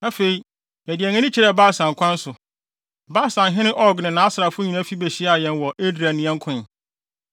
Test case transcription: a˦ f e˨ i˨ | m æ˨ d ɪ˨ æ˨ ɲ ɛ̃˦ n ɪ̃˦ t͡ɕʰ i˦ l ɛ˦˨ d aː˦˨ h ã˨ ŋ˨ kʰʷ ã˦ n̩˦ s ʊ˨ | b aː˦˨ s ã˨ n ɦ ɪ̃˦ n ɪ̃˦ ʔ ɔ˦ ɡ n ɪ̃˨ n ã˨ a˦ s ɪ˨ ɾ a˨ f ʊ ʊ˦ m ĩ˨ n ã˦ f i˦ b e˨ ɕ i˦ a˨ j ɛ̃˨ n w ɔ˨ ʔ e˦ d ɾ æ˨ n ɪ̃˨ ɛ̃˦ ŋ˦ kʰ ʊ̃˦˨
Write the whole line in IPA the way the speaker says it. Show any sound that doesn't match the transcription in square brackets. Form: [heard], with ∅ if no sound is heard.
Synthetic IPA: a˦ f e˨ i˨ | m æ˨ d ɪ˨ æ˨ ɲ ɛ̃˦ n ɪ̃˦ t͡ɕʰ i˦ [ɾ] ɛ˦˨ [b] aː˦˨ [s] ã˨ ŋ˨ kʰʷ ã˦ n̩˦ s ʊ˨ | b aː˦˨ s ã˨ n ɦ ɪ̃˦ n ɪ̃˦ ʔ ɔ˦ ɡ n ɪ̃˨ n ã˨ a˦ s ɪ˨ ɾ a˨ f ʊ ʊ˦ [ɲ] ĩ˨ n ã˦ f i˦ b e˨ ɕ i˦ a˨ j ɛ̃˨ n w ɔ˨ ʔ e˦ d ɾ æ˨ n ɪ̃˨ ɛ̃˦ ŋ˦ kʰ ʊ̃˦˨